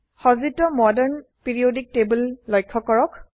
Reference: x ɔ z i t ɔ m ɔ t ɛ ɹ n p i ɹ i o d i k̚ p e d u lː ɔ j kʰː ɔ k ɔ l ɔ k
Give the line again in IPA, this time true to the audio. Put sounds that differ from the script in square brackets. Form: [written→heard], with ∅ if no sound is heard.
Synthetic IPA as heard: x ɔ z i t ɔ m ɔ [t→d] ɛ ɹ n p i ɹ i o d i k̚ [p→t] e [d→b] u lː ɔ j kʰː ɔ k ɔ [l→ɹ] ɔ k